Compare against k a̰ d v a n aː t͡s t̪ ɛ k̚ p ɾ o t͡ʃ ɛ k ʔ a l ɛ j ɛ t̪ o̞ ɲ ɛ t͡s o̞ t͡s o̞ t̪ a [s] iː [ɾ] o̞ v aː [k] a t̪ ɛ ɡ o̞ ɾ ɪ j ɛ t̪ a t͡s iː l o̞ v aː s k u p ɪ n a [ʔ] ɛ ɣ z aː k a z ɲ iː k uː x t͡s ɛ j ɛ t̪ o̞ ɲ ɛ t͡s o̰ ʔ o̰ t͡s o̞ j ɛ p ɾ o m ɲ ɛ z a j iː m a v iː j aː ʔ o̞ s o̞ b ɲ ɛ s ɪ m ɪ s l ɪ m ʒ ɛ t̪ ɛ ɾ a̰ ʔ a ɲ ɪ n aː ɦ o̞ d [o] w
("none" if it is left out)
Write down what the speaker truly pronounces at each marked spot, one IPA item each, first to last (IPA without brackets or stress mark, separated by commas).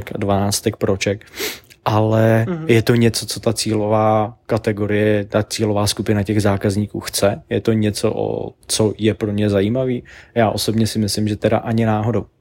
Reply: t͡s, l, k, c, o